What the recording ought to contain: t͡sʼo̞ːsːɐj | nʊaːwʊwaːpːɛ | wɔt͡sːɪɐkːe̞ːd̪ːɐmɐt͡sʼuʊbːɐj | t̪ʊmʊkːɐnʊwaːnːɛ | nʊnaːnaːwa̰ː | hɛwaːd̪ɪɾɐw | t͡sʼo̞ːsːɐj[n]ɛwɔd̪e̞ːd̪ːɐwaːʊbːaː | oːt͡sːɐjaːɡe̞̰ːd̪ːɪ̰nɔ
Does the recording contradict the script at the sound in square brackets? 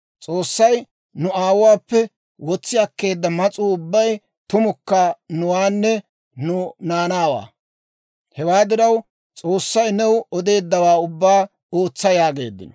no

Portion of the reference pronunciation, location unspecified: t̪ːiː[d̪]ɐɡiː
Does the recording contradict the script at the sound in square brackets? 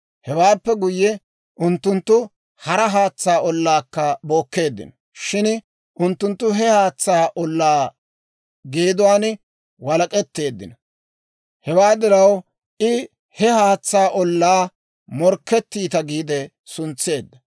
yes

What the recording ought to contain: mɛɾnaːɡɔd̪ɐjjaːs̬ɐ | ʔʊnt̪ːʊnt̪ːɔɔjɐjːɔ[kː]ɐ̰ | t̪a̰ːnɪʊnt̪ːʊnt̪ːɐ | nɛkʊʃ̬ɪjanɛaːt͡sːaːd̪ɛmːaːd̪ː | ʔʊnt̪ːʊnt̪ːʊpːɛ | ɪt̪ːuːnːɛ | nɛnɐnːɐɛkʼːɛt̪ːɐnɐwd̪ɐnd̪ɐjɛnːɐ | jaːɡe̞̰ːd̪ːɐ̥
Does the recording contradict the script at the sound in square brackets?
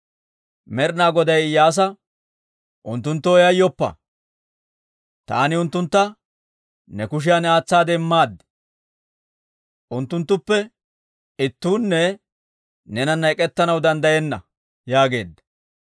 yes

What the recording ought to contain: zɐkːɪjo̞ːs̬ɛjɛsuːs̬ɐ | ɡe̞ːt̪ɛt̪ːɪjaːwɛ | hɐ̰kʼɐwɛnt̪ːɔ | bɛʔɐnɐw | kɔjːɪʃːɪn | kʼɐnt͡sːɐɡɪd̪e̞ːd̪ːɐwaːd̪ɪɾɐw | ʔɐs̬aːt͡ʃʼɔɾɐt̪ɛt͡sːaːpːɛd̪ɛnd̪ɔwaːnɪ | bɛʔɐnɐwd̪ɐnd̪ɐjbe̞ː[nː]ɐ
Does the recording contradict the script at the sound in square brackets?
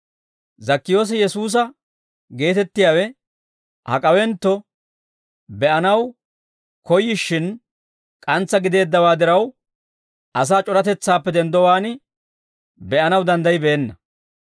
no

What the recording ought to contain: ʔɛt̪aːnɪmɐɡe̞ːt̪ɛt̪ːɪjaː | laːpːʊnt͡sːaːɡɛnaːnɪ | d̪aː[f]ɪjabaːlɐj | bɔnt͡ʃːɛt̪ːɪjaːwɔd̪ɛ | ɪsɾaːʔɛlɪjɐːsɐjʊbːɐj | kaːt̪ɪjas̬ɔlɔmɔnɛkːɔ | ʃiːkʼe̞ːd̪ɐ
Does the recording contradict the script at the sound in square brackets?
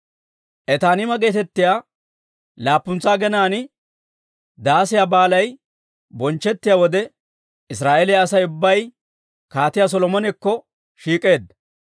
yes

